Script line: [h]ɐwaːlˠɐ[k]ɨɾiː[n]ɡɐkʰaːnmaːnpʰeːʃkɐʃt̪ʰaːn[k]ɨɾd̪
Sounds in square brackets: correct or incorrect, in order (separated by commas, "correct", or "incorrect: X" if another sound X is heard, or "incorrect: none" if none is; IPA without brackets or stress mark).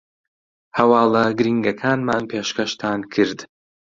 correct, incorrect: ɡ, incorrect: ŋ, incorrect: kʰ